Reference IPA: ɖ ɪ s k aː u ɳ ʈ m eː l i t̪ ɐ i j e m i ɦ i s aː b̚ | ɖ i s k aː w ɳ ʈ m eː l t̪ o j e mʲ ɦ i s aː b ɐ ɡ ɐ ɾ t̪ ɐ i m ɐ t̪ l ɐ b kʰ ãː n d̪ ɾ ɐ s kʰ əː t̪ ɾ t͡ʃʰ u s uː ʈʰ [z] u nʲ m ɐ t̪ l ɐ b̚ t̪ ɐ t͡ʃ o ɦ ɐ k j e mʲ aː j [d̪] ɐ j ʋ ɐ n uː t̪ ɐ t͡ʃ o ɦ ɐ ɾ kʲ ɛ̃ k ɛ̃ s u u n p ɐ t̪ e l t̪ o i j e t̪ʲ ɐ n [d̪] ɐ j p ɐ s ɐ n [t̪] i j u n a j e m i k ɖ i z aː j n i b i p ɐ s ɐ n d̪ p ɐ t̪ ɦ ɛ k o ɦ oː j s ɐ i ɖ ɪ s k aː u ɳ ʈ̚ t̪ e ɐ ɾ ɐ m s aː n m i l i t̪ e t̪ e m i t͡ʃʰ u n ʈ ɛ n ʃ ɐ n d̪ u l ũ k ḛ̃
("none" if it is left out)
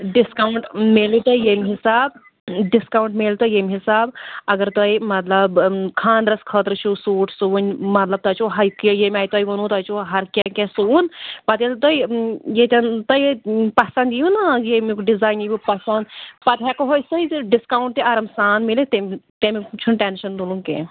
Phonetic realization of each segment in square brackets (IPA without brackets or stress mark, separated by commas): s, t̪, t̪, d̪